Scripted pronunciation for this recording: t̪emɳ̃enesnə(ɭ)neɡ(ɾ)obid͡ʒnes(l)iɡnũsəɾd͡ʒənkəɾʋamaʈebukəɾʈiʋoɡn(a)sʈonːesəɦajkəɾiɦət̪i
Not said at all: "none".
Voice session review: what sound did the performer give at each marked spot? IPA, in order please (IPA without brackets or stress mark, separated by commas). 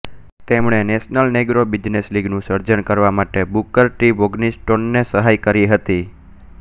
l, ɾ, l, i